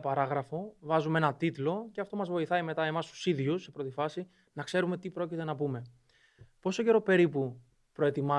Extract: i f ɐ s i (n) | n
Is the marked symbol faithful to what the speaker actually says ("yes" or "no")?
no